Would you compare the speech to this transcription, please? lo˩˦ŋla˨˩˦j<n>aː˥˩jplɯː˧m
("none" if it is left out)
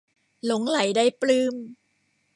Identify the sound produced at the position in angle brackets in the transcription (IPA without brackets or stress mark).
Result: d